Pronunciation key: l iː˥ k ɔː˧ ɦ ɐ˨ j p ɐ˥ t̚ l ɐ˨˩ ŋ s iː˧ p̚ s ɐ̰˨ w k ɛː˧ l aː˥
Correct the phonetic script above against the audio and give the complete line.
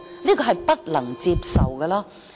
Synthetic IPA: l iː˥ k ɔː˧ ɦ ɐ˨ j p ɐ˥ t̚ l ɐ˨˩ ŋ t͡s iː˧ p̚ s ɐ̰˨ w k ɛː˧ l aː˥